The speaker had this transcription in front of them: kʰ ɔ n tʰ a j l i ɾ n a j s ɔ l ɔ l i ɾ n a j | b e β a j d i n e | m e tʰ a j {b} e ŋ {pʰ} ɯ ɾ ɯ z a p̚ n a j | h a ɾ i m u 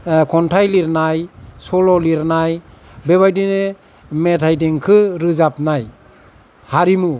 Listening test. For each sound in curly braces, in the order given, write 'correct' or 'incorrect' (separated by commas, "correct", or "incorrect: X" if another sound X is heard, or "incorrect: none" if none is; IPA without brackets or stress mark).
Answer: incorrect: d, incorrect: kʰ